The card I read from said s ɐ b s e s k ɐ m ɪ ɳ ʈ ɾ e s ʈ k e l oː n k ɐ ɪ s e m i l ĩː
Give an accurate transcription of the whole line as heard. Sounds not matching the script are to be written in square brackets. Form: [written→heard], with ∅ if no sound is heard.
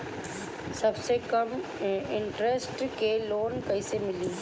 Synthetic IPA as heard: s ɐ b s e [s→∅] k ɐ m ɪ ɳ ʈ ɾ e s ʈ k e l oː n k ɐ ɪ s e m [i→ɪ] l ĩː

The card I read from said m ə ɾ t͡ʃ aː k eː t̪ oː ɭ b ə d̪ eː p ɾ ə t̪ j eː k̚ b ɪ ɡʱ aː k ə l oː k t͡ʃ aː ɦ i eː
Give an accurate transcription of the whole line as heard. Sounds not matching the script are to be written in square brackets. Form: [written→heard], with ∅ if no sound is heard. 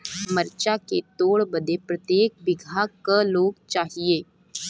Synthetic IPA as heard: m ə ɾ t͡ʃ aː k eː t̪ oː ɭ b ə d̪ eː p ɾ ə t̪ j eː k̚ b ɪ ɡʱ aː k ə l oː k t͡ʃ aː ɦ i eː

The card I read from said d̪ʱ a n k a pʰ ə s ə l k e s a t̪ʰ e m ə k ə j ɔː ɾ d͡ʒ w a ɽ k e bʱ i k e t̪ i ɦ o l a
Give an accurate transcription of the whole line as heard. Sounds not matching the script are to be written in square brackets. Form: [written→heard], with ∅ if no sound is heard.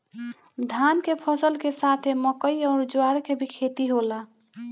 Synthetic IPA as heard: d̪ʱ a n k [a→e] pʰ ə s ə l k e s a t̪ʰ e m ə k ə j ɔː ɾ d͡ʒ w a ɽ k e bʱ i [k→kʰ] e t̪ i ɦ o l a

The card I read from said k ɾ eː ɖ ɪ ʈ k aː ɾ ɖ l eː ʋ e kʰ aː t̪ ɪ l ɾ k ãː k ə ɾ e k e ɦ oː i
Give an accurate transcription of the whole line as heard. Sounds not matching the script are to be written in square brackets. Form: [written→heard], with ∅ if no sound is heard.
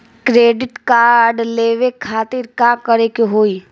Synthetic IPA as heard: k ɾ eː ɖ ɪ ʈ k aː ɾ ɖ l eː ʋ e kʰ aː t̪ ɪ [l→∅] ɾ k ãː k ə ɾ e k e ɦ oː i

